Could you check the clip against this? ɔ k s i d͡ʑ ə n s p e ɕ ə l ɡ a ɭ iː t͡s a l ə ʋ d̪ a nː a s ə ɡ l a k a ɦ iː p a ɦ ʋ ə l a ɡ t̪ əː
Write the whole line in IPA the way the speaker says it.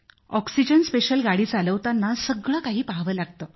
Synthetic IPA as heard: ɔ k s i d͡ʑ ə n s p e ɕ ə l ɡ a ɽ iː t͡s a l ə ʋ t̪ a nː a s ə ɡ ɭ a k a ɦ iː p a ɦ ʋ ə l a ɡ t̪ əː